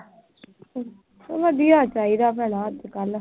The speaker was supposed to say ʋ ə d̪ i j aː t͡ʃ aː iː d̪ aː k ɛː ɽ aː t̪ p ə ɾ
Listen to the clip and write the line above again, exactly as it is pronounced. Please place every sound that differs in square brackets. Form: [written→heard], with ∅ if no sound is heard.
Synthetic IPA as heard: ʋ ə d̪ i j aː t͡ʃ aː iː d̪ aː [k→p] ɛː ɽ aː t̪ [p→k] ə [ɾ→l]